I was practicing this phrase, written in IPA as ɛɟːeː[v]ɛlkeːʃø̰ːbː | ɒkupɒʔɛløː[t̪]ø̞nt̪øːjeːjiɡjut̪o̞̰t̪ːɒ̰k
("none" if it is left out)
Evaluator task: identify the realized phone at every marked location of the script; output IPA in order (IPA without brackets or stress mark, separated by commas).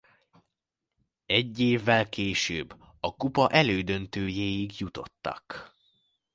vː, d̪